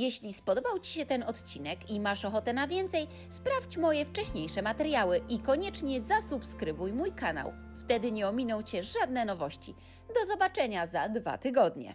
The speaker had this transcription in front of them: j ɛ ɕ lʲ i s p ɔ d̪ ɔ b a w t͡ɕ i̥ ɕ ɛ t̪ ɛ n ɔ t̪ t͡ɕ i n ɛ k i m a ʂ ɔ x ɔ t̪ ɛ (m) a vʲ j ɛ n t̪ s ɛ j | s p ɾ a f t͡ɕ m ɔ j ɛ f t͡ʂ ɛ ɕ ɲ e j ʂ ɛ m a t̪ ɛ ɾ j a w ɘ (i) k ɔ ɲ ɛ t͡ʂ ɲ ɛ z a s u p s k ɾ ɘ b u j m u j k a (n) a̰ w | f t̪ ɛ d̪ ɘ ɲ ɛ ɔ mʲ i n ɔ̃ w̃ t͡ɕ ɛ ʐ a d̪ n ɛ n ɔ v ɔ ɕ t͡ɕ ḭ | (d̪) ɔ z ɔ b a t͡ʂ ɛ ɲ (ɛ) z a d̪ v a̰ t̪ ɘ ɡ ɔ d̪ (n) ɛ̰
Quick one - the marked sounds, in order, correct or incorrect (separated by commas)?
incorrect, correct, correct, correct, incorrect, incorrect